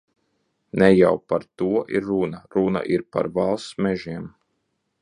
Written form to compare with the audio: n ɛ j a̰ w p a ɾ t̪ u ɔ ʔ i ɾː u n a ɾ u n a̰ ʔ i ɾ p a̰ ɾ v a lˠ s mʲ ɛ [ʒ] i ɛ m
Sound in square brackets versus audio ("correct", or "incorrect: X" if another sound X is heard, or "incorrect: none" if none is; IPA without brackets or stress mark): correct